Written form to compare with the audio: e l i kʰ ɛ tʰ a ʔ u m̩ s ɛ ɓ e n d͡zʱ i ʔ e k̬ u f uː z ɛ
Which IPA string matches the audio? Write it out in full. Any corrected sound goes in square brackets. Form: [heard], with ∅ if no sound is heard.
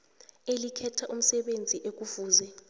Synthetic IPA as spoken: e l i kʰ ɛ tʰ a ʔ u m̩ s ɛ ɓ e n d͡zʱ i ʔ e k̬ u f uː z ɛ